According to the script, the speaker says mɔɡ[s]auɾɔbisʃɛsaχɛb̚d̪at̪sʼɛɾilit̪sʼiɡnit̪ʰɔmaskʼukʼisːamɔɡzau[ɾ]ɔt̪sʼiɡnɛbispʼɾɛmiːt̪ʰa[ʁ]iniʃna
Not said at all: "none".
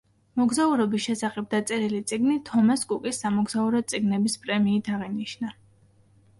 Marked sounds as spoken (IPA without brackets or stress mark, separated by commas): z, ɾ, ʁ